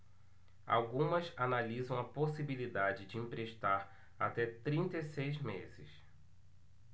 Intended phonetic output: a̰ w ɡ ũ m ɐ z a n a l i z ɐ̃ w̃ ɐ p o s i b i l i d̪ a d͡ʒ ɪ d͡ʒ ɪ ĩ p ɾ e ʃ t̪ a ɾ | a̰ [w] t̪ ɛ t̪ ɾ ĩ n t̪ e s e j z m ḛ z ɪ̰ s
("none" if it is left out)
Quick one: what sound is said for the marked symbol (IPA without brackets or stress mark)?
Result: none